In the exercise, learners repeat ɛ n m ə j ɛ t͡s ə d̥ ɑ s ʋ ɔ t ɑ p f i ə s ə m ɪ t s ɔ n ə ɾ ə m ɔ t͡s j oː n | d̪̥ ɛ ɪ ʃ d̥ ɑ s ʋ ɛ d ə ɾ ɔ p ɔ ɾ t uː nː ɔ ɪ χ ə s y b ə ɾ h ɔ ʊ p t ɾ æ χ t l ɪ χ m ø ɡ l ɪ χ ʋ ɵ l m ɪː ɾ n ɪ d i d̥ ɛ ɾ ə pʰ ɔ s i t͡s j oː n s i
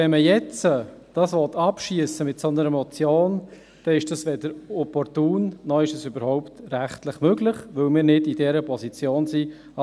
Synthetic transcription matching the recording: ɛ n m ə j ɛ t͡s ə d̥ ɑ s ʋ ɔ t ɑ p ʃ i ə s ə m ɪ t s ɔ n ə ɾ ə m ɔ t͡s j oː n | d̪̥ ɛ ɪ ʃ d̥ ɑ s ʋ ɛ d ə ɾ ɔ p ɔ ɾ t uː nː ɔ ɪ ʃ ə s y b ə ɾ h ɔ ʊ p t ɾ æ χ t l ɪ χ m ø ɡ l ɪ χ ʋ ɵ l m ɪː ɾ n ɪ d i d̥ ɛ ɾ ə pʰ ɔ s i t͡s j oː n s i